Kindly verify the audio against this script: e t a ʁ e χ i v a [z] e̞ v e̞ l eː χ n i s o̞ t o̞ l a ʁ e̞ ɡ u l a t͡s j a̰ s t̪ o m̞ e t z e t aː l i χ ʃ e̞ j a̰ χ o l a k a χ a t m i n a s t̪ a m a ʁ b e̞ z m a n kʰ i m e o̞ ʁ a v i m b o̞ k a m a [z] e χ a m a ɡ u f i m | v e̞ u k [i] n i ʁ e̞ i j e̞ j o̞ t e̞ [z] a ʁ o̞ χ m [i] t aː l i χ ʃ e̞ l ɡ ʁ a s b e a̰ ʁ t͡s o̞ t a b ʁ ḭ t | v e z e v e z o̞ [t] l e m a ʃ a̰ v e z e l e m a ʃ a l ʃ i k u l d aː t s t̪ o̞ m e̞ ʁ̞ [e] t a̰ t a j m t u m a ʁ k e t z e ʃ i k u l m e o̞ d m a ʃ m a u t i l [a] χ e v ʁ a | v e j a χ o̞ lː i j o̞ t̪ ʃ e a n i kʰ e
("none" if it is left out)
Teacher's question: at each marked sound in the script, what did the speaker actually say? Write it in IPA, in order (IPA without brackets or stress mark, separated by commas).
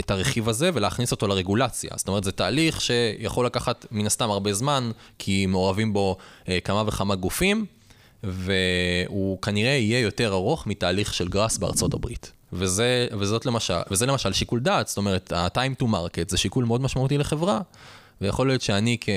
z, v, a, ʁ, i, t, e, e